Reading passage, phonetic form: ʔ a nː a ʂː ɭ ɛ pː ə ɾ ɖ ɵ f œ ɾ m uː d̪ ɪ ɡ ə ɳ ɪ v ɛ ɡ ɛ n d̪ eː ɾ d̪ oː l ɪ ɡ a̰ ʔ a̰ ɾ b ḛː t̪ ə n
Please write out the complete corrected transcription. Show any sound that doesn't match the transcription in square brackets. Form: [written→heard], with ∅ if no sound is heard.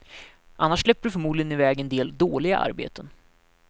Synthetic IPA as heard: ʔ a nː a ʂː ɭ ɛ pː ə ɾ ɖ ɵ f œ ɾ m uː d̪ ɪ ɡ ə [ɳ→n] ɪ v [ɛ→ɛː] ɡ ɛ n d̪ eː [ɾ→l] d̪ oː l ɪ ɡ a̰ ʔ a̰ ɾ b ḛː t̪ ə n